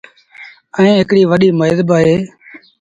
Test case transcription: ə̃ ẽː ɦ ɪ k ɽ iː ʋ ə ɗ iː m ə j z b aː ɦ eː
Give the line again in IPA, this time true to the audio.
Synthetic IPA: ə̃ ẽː ɦ ɪ k ɽ iː ʋ ə ɗ iː m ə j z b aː ɦ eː

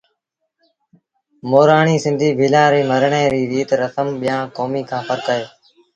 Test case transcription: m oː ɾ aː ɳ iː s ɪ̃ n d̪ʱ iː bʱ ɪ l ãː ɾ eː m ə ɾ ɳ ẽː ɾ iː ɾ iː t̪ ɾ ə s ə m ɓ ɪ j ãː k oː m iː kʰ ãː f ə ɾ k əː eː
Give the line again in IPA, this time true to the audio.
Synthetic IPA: m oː ɾ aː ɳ iː s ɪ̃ n d̪ʱ iː bʱ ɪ l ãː ɾ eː m ə ɾ ɳ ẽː ɾ iː ɾ iː t̪ ɾ ə s ə m ɓ ɪ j ãː k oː m iː kʰ ãː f ə ɾ k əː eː

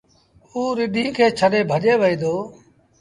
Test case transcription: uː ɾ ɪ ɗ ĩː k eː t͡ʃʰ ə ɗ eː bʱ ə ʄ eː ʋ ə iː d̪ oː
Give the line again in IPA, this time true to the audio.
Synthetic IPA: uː ɾ ɪ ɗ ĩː kʰ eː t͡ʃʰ ə ɗ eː bʱ ə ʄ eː ʋ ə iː d̪ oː

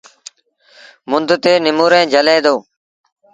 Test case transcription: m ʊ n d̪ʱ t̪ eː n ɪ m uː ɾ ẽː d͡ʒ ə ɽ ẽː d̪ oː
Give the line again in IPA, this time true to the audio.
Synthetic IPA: m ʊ n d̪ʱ t̪ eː n ɪ m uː ɾ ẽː d͡ʒ ə l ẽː d̪ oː

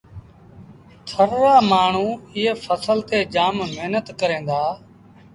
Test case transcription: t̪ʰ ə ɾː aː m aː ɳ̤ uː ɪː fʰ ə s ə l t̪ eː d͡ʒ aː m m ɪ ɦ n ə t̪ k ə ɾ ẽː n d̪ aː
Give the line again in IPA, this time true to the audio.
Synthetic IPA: t̪ʰ ə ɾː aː m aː ɳ̤ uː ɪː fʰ ə s ə l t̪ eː d͡ʒ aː m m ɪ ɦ n ə t̪ k ə ɾ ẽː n d̪ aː

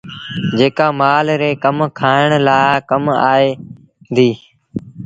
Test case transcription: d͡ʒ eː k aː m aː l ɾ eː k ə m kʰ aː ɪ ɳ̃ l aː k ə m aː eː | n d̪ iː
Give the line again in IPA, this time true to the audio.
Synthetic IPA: d͡ʒ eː k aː m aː l ɾ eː k ə m kʰ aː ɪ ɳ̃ l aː k ə m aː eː | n d̪ iː

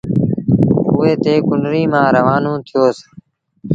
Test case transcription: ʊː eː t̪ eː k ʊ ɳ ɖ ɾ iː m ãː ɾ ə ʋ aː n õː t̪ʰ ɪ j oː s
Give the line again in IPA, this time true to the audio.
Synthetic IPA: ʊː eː t̪ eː k ʊ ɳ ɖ ɾ iː m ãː ɾ ə ʋ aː n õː t̪ʰ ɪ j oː s

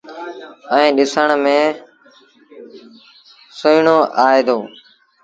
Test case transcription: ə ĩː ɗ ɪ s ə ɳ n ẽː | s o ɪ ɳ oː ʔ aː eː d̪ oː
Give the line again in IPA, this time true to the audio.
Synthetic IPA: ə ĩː ɗ ɪ s ə ɳ m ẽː | s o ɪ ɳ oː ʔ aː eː d̪ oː

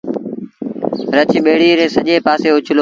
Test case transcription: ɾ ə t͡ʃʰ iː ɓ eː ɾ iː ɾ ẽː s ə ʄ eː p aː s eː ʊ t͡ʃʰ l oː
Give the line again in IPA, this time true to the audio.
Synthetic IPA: ɾ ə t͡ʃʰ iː ɓ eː ɽ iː ɾ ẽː s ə ʄ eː p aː s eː ʊ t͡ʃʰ l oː

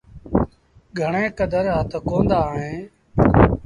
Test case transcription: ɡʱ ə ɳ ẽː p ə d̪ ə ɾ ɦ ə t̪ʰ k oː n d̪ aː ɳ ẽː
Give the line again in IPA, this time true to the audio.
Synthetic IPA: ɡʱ ə ɳ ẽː k ə d̪ ə ɾ ɦ ə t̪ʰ k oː n d̪ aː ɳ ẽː

